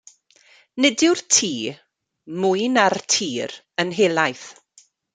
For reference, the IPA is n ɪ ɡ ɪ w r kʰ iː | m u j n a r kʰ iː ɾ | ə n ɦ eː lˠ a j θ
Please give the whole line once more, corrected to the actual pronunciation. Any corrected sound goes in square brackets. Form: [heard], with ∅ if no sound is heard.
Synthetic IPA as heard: n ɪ [d] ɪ w r [tʰ] iː | m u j n a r [tʰ] iː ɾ | ə n ɦ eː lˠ a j θ